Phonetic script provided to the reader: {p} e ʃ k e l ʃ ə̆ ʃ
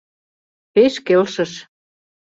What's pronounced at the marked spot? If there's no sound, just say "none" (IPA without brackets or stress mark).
p